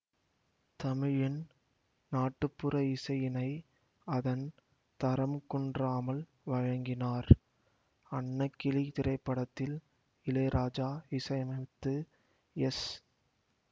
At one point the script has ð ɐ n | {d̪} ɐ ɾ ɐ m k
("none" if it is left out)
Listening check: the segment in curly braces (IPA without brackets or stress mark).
t̪